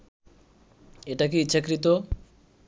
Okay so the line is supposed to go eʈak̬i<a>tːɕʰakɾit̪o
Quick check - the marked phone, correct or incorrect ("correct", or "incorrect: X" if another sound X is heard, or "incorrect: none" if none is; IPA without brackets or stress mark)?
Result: incorrect: i